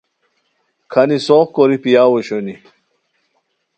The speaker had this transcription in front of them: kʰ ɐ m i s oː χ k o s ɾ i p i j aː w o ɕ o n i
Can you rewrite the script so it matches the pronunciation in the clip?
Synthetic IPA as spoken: kʰ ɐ n i s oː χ k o ɾ i p i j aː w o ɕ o n i